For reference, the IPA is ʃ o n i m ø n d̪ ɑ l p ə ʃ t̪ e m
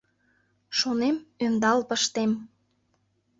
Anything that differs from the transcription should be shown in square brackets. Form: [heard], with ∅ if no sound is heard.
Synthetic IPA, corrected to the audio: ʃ o n [e] m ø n d̪ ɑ l p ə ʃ t̪ e m